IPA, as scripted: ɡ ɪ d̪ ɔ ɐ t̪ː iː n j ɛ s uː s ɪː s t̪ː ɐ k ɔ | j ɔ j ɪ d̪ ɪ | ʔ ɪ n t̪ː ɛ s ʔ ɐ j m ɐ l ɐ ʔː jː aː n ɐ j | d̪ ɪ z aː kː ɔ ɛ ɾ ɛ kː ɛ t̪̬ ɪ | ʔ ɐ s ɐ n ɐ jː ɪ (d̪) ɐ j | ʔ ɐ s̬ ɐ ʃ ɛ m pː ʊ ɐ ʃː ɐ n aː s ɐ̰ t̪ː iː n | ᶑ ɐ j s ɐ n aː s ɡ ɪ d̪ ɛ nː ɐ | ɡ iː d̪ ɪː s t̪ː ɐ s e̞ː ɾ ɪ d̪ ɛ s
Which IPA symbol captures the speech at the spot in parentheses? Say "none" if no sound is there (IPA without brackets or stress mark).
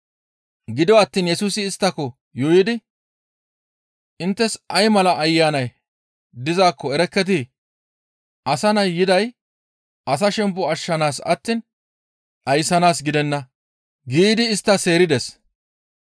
d̪